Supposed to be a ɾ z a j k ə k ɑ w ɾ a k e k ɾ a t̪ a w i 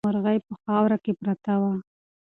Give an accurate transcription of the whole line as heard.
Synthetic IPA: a ɾ ɣ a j p ə x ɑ w ɾ a k e p ɾ a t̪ a w a

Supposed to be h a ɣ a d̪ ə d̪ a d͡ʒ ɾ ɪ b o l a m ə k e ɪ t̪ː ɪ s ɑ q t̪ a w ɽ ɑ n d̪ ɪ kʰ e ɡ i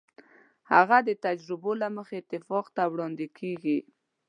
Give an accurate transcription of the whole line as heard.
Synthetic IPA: h a ɣ a d̪ ə t̪ a d͡ʒ ɾ ɪ b o l a m ə x e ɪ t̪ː ɪ f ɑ q t̪ a w ɽ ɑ n d̪ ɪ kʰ e ɡ i

